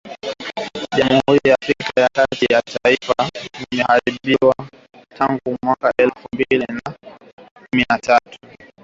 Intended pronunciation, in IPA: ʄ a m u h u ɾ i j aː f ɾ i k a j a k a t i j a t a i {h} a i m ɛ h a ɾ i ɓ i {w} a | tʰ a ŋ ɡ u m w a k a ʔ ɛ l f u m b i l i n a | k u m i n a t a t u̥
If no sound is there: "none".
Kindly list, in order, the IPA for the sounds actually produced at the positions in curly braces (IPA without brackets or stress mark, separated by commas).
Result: f, w